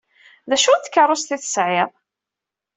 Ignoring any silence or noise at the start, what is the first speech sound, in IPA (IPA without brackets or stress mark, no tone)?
ð